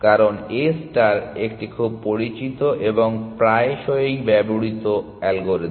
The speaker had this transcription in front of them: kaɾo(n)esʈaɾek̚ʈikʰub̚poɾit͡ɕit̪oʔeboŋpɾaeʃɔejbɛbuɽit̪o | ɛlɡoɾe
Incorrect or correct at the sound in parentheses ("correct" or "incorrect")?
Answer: correct